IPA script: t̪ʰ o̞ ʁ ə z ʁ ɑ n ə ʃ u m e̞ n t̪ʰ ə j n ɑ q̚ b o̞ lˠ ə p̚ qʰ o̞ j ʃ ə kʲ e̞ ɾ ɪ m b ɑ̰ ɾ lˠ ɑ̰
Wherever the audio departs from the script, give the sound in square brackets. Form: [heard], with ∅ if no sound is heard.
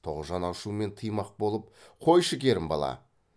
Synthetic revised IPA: t̪ʰ o̞ ʁ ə z [ʒ] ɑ n [ɑ] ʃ u m e̞ n t̪ʰ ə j [m] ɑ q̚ b o̞ lˠ ə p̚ qʰ o̞ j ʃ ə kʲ e̞ ɾ ɪ m b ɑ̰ [∅] lˠ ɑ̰